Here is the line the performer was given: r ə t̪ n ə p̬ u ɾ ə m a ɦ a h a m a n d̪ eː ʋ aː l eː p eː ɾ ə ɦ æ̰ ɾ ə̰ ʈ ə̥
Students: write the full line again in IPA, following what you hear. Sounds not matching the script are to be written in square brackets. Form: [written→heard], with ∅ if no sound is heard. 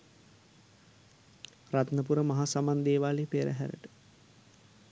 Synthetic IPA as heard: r [ə→a] t̪ n ə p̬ u ɾ ə m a ɦ a [h→s] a m a n d̪ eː ʋ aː l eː p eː ɾ ə ɦ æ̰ ɾ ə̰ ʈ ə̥